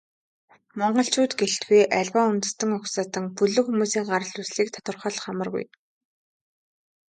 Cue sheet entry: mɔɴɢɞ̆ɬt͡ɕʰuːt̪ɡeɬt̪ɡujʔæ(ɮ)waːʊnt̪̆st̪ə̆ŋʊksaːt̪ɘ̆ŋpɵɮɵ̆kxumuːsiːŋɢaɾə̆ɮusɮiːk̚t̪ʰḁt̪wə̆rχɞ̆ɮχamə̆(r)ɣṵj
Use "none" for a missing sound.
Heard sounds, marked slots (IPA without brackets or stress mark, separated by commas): ɮ, r